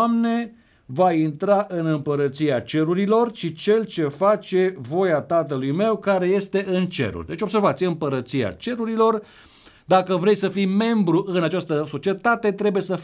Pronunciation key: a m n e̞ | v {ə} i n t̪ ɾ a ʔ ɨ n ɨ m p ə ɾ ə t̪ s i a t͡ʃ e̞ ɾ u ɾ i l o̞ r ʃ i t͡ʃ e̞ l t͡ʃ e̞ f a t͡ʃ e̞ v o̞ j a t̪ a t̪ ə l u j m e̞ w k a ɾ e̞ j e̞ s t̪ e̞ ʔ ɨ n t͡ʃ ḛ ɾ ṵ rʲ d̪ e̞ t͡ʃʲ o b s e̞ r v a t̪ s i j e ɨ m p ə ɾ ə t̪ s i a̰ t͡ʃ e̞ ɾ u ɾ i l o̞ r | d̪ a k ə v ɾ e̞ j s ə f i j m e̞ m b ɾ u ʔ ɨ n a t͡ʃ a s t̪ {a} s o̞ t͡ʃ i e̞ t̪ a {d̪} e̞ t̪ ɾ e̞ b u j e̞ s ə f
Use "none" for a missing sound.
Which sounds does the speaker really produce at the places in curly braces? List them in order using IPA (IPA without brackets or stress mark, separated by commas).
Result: a, ə, t̪